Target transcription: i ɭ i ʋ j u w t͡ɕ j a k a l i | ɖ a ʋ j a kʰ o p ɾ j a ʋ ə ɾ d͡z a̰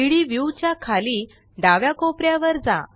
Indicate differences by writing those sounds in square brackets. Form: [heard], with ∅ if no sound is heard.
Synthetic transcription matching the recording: i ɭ i ʋ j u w t͡ɕ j a [kʰ] a l i | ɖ a ʋ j a [k] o p ɾ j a ʋ ə ɾ d͡z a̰